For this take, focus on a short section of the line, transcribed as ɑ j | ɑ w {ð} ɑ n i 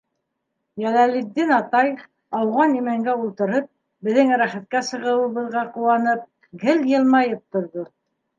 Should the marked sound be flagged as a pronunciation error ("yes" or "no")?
yes